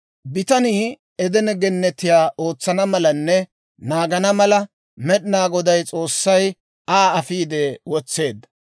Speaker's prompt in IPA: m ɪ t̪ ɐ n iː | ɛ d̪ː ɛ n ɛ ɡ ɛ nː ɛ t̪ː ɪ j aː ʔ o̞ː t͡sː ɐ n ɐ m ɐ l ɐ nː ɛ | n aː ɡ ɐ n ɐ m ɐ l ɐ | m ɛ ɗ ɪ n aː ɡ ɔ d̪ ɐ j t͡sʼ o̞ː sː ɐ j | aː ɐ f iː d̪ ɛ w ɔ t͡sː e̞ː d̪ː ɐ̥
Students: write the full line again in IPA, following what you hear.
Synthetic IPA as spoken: b ɪ t̪ ɐ n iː | ɛ d̪ ɛ n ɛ ɡ ɛ nː ɛ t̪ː ɪ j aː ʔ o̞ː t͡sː ɐ n ɐ m ɐ l ɐ nː ɛ | n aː ɡ ɐ n ɐ m ɐ l ɐ | m ɛ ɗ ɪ n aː ɡ ɔ d̪ ɐ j t͡sʼ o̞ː sː ɐ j | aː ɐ f iː d̪ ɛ w ɔ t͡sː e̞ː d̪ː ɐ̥